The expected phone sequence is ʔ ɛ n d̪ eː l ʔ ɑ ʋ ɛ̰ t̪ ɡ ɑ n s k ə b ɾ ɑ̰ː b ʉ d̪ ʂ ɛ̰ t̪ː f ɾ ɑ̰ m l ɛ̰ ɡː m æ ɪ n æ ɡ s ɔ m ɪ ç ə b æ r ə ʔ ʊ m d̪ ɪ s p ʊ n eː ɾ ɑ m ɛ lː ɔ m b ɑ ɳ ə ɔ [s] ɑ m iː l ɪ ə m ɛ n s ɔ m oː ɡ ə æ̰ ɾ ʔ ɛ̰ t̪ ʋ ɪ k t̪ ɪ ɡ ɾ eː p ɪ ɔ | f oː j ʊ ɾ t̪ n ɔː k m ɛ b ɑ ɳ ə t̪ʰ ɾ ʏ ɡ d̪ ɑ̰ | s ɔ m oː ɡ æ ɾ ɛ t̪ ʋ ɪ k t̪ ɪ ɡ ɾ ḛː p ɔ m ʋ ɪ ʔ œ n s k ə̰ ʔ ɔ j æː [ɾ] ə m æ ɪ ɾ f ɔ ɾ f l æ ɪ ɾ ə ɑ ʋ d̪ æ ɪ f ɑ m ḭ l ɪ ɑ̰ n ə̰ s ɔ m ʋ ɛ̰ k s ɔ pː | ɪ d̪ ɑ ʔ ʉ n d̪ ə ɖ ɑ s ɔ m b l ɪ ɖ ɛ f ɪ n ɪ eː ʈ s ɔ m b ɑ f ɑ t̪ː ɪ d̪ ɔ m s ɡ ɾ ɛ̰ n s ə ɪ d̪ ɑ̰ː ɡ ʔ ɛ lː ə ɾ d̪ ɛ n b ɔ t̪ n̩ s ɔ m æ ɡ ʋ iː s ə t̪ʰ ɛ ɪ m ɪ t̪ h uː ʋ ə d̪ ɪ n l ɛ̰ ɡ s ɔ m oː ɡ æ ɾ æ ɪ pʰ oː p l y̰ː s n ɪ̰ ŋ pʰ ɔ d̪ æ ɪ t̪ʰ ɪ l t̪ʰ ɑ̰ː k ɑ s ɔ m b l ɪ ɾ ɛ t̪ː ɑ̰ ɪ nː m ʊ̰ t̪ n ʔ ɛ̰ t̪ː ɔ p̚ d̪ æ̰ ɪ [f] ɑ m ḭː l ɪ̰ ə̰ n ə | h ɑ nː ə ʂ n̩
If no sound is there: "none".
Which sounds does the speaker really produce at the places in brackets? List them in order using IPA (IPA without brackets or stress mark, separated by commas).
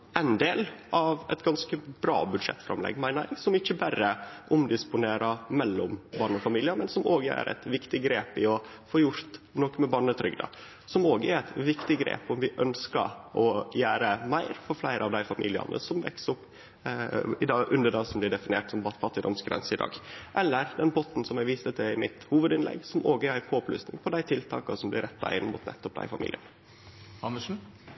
f, ɾ, f